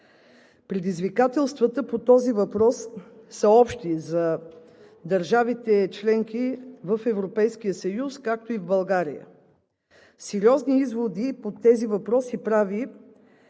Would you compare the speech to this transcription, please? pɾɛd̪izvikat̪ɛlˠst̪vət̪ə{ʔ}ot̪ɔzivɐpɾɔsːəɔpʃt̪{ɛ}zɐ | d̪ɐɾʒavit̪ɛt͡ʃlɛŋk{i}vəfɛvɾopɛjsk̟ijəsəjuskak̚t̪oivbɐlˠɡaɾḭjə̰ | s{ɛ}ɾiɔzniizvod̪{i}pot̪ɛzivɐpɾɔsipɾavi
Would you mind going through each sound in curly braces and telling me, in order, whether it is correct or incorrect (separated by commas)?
incorrect, incorrect, correct, correct, correct